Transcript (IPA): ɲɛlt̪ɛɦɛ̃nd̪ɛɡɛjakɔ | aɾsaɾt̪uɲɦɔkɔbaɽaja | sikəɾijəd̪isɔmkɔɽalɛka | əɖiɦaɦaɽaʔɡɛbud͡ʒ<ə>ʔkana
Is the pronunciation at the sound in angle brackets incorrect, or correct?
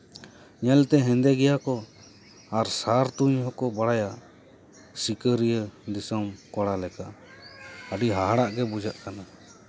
incorrect: a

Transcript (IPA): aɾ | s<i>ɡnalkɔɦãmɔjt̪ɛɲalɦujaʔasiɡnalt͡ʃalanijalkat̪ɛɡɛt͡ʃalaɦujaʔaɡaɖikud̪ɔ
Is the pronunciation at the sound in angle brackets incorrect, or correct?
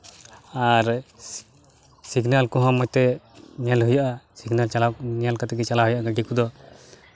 correct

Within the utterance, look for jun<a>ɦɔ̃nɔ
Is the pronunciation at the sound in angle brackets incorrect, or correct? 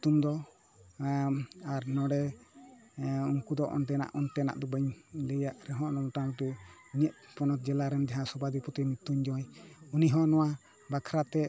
incorrect: i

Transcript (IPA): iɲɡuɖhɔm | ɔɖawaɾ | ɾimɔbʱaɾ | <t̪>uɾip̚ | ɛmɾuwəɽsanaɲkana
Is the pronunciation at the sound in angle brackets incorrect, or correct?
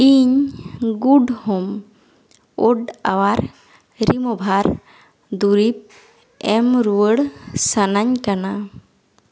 incorrect: d̪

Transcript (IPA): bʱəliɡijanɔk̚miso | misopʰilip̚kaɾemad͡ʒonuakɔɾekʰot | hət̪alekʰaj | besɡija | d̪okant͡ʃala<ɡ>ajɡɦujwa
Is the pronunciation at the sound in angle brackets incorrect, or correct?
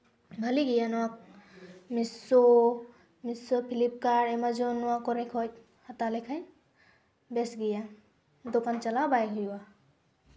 incorrect: b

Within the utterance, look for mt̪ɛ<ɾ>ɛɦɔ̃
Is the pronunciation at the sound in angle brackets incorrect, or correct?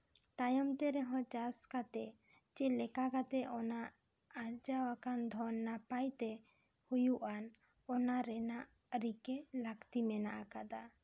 correct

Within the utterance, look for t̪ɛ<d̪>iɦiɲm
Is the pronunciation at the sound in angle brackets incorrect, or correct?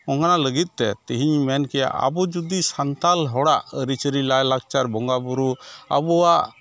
incorrect: t̪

